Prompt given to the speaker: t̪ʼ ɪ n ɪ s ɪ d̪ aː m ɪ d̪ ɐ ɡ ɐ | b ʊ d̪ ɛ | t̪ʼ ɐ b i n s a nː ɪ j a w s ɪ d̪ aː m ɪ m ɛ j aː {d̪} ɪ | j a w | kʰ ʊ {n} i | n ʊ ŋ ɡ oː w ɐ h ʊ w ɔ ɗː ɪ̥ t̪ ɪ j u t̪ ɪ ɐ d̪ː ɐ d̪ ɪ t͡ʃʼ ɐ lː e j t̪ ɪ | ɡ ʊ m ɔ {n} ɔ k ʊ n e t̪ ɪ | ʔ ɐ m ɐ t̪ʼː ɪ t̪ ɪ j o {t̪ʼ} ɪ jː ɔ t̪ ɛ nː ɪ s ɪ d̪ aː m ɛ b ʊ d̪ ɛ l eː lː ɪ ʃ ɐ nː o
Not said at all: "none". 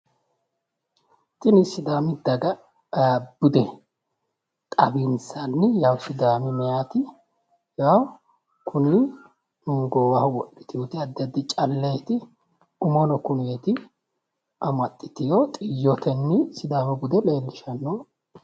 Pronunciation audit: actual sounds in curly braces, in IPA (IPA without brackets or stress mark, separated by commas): t̪, n, n, t̪ʼ